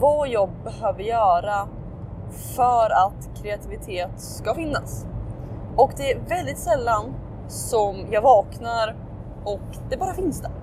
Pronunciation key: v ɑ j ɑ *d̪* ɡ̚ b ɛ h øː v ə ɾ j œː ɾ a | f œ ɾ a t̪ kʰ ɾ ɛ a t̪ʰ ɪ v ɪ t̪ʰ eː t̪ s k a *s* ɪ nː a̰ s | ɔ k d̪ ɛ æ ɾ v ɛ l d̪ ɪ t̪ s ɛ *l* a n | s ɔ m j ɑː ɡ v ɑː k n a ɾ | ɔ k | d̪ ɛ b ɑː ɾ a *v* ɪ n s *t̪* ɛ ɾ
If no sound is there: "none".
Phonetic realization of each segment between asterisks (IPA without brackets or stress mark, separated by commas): none, f, lː, f, d̪